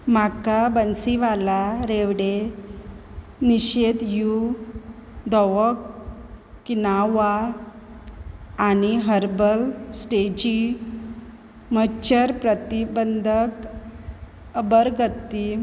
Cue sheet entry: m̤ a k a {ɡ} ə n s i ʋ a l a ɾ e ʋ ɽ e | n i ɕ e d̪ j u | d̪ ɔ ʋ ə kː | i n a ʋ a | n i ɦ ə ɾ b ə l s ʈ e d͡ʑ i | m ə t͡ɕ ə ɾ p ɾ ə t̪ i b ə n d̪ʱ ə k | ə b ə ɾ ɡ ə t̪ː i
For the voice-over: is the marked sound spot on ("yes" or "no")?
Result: no